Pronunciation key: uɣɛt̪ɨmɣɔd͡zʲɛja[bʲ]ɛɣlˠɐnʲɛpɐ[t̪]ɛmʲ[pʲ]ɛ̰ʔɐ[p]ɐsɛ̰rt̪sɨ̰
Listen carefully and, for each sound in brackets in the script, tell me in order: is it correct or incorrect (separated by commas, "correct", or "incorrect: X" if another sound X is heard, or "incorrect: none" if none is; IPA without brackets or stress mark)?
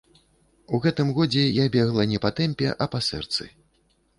correct, correct, correct, correct